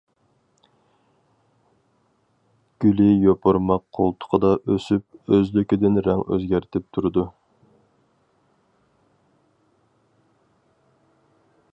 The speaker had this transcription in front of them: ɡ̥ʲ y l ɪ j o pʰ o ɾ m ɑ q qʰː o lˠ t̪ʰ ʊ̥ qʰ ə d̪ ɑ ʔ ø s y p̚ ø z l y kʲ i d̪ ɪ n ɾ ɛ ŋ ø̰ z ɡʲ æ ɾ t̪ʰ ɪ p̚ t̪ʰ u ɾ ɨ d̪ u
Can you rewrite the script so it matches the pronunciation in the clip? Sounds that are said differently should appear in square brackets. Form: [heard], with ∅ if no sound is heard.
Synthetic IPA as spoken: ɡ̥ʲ y l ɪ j o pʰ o ɾ m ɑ q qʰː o lˠ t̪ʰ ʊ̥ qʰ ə d̪ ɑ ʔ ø s y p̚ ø z l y kʲ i d̪ ɪ n ɾ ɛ ŋ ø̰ z ɡʲ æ ɾ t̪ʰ ɪ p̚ t̪ʰ u ɾ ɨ d̪ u